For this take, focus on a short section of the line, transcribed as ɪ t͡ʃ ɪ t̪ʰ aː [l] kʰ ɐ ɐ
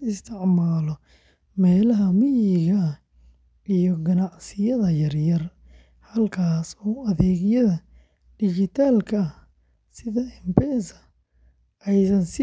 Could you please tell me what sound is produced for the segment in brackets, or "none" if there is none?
l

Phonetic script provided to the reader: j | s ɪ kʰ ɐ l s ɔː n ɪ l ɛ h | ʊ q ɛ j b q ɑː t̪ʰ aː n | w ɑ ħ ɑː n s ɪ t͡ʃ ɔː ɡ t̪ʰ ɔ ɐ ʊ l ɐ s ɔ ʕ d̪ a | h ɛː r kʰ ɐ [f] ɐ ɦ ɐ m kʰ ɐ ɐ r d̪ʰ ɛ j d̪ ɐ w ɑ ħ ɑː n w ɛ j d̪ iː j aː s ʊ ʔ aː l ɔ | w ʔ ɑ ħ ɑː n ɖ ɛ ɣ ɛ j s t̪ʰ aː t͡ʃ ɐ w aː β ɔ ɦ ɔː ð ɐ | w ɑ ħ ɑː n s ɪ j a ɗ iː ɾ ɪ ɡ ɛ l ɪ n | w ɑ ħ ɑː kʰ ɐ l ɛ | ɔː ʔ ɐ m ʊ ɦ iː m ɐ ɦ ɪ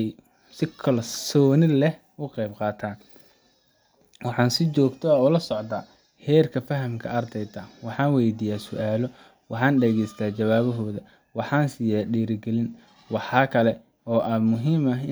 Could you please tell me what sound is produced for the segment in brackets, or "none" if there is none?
f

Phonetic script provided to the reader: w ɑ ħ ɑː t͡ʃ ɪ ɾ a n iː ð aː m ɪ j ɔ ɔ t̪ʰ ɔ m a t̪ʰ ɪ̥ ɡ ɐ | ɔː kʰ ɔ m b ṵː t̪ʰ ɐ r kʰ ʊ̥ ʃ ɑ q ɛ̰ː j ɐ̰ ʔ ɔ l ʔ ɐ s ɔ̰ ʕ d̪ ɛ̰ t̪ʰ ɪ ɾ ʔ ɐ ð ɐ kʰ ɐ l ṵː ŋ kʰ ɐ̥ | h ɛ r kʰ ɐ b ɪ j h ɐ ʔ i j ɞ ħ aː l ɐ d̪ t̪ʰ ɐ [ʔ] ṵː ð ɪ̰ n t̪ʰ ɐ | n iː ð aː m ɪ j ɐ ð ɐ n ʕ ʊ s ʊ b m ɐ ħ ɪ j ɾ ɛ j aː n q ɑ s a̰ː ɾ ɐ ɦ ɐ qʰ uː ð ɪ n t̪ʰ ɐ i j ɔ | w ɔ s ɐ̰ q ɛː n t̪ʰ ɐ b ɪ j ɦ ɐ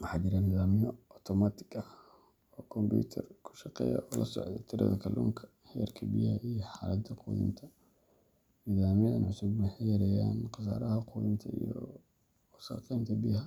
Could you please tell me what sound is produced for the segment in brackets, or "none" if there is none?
q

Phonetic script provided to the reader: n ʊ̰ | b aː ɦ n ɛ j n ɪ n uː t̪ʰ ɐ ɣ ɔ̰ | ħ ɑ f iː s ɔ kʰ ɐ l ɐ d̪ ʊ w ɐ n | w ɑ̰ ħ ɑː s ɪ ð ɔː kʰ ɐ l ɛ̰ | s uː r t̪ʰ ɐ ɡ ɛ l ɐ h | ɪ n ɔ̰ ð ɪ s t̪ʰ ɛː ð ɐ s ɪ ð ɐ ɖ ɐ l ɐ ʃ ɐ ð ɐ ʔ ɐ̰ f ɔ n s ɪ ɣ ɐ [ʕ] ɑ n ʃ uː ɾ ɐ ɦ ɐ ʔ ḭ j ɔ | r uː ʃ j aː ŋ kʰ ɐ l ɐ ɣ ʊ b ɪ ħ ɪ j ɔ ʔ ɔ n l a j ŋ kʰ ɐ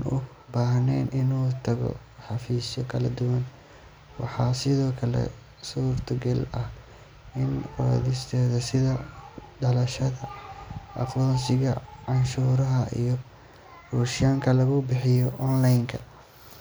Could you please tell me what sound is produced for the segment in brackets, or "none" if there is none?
ʕ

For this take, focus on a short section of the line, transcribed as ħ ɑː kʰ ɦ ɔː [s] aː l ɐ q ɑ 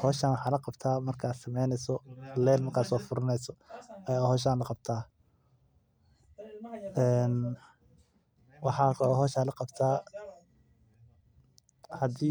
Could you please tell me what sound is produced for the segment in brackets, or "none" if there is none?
ʃ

